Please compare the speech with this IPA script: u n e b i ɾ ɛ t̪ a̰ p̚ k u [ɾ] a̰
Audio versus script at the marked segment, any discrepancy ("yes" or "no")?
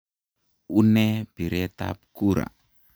no